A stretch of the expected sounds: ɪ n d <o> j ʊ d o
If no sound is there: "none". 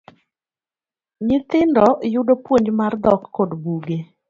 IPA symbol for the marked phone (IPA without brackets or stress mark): ɔ